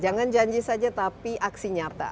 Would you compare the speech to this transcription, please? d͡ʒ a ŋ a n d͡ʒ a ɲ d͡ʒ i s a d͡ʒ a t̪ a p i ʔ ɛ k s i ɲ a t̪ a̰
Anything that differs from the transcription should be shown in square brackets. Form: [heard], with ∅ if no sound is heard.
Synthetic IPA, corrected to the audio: d͡ʒ a ŋ a n d͡ʒ a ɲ d͡ʒ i s a d͡ʒ a t̪ a p i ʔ [a] k s i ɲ a t̪ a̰